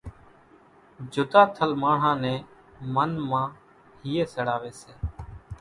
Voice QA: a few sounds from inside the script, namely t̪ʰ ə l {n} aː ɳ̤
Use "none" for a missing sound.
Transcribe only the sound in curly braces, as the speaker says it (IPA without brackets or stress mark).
m